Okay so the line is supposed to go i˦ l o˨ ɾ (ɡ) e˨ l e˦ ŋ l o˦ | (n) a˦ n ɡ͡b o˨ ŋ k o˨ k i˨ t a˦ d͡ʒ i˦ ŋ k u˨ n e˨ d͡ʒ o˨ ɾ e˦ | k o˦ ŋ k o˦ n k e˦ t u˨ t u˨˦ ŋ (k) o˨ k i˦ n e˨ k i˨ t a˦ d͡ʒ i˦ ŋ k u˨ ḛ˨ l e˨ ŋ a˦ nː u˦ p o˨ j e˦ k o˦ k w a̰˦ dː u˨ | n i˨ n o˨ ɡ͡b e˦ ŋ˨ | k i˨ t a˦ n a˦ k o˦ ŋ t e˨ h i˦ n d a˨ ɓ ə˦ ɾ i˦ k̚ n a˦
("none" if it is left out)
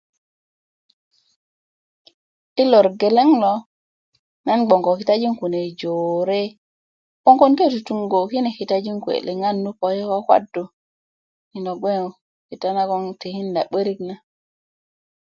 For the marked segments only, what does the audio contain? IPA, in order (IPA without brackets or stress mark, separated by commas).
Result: ɡ, n, ɡ